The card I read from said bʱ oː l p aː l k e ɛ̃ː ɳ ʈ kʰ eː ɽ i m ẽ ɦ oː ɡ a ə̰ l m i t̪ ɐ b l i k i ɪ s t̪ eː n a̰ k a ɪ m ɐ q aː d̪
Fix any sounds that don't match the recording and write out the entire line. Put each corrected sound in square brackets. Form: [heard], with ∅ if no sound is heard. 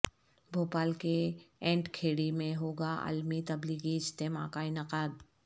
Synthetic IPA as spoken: bʱ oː [∅] p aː l k e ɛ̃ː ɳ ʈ kʰ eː ɽ i m ẽ ɦ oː ɡ a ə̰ l m i t̪ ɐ b l i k i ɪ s t̪ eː [m] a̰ k a ɪ [n] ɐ q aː d̪

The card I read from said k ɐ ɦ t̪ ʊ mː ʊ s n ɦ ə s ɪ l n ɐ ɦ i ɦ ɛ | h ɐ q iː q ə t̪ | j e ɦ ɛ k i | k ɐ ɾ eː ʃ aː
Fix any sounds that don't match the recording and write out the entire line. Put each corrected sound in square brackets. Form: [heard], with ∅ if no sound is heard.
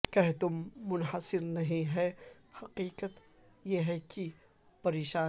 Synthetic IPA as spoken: k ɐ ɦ t̪ ʊ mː ʊ [∅] n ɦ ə s ɪ [ɾ] n ɐ ɦ [ĩ] ɦ ɛ | h ɐ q iː q ə t̪ | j e ɦ ɛ k i | [p] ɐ ɾ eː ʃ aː

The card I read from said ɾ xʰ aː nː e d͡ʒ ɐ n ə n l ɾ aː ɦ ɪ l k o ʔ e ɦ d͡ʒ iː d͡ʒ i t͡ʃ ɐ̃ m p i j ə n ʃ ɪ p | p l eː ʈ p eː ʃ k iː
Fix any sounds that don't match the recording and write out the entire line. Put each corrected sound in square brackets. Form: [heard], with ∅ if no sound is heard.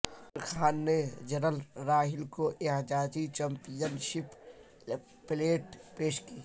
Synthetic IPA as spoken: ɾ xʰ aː nː e d͡ʒ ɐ n ə [∅] l ɾ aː ɦ ɪ l k o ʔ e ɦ d͡ʒ [aː] d͡ʒ i t͡ʃ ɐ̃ m p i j ə n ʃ ɪ p | p l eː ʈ p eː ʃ k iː

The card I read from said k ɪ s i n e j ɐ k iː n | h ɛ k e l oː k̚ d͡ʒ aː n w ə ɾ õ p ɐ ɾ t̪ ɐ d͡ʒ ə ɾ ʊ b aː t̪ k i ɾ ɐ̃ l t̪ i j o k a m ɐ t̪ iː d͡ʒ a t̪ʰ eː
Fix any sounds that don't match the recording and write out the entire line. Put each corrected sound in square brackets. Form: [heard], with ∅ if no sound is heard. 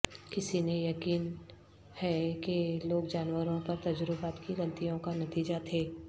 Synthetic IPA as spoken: k ɪ s i n e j ɐ k iː n | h ɛ k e l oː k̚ d͡ʒ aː n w ə ɾ õ p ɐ ɾ t̪ ɐ d͡ʒ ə ɾ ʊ b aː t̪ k i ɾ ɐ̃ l t̪ i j [õ] k a [n] ɐ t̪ iː d͡ʒ a t̪ʰ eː

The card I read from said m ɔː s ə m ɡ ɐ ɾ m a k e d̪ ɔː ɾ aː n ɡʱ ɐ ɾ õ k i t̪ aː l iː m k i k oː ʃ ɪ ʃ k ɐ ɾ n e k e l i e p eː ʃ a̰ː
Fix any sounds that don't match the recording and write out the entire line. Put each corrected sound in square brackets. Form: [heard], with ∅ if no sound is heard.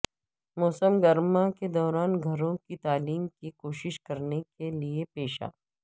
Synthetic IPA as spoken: m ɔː s ə m ɡ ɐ ɾ m a k e d̪ ɔː ɾ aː n ɡʱ ɐ ɾ õ k i t̪ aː l iː m k i k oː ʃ ɪ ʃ k ɐ ɾ n e k e l i e p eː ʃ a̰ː

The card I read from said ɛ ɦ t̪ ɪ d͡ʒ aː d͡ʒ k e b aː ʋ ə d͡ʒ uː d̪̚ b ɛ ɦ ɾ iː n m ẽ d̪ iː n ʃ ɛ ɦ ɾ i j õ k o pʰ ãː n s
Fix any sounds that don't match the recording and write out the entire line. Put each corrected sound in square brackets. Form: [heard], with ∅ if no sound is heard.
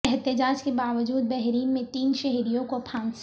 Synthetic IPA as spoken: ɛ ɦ t̪ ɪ d͡ʒ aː d͡ʒ k e b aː ʋ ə d͡ʒ uː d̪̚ b ɛ ɦ ɾ iː n m ẽ [t̪] iː n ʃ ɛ ɦ ɾ i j õ k o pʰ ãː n s

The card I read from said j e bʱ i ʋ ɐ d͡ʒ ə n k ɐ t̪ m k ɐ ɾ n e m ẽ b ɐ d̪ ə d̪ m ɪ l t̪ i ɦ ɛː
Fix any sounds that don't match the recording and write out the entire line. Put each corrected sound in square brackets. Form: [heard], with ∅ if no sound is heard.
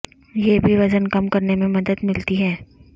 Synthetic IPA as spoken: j e bʱ i ʋ ɐ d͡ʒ ə n k ɐ [∅] m k ɐ ɾ n e m ẽ [m] ɐ d̪ ə d̪ m ɪ l t̪ i ɦ ɛː

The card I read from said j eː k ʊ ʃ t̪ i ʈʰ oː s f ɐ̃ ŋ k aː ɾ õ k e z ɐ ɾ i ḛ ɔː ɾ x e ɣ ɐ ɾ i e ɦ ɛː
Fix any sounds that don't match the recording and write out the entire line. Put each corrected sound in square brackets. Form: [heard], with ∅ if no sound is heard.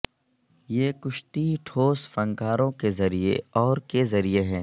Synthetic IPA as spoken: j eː k ʊ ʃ t̪ i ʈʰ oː s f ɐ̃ ŋ k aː ɾ õ k e z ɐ ɾ i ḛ ɔː ɾ [k] e [z] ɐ ɾ i e ɦ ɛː

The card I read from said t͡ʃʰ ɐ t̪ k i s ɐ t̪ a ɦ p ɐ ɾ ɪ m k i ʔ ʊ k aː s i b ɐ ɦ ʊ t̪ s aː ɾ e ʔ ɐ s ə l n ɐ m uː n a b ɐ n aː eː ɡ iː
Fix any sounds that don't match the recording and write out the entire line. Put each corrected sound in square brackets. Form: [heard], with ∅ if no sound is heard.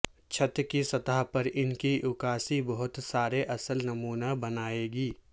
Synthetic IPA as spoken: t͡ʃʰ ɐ t̪ k i s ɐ t̪ a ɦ p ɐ ɾ ɪ [n] k i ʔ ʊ k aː s i b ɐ ɦ ʊ t̪ s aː ɾ e ʔ ɐ s ə l n ɐ m uː n a b ɐ n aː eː ɡ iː

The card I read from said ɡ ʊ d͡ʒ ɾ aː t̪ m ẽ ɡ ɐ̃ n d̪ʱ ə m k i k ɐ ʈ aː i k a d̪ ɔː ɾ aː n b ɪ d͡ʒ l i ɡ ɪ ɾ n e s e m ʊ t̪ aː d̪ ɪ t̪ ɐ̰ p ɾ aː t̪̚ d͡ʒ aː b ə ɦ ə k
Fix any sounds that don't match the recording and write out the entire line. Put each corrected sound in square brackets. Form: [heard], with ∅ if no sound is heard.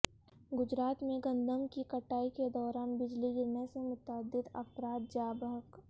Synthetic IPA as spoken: ɡ ʊ d͡ʒ ɾ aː t̪ m ẽ ɡ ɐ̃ n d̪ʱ ə m k i k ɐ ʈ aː i k [e] d̪ ɔː ɾ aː n b ɪ d͡ʒ l i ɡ ɪ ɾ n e s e m ʊ t̪ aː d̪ ɪ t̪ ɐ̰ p ɾ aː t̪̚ d͡ʒ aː b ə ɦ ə k

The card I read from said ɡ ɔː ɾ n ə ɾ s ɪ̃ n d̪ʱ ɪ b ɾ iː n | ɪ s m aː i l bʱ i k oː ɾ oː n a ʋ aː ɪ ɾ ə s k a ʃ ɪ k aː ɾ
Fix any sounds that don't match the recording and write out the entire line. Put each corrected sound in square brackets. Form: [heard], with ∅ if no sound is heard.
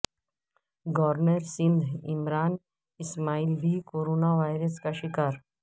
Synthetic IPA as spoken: ɡ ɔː ɾ n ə ɾ s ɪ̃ n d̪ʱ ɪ [m] ɾ [aː] n | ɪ s m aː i l bʱ i k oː ɾ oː n a ʋ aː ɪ ɾ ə s k a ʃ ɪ k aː ɾ

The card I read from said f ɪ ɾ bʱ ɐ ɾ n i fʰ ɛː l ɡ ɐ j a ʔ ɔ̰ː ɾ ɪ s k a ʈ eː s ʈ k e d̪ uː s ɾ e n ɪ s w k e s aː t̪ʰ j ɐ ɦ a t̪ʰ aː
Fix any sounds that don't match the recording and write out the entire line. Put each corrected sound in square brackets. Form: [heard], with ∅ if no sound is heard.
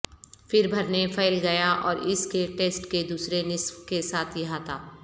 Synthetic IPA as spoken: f ɪ ɾ bʱ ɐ ɾ n [e] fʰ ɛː l ɡ ɐ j a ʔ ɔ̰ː ɾ ɪ s k [e] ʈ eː s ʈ k e d̪ uː s ɾ e n ɪ s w k e s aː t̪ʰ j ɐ ɦ a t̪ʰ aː

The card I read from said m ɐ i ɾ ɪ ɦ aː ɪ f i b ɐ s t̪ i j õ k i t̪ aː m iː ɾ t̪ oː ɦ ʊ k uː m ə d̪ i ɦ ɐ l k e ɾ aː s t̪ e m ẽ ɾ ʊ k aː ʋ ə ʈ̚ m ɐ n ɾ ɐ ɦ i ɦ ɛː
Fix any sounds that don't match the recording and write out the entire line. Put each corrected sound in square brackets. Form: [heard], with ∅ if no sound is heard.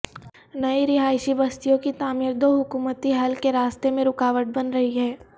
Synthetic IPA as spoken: [n] ɐ i ɾ ɪ ɦ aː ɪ [ʃ] i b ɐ s t̪ i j õ k i t̪ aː m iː ɾ [d̪] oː ɦ ʊ k uː m ə [t̪] i ɦ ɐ l k e ɾ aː s t̪ e m ẽ ɾ ʊ k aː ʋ ə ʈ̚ [b] ɐ n ɾ ɐ ɦ i ɦ ɛː

